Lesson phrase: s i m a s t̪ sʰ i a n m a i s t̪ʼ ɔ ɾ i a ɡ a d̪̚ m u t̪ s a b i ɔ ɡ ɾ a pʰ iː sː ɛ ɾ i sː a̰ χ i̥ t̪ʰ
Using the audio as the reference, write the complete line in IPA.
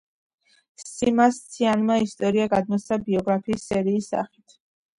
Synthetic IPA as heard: s i m a s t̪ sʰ i a n m a i s t̪ʼ ɔ ɾ i a ɡ a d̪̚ m ɔ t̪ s a b i ɔ ɡ ɾ a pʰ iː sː ɛ ɾ iː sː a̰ χ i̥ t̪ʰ